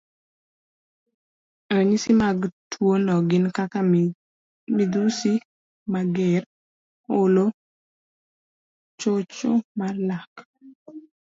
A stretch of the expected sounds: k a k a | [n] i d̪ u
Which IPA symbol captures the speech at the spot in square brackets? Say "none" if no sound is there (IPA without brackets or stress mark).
m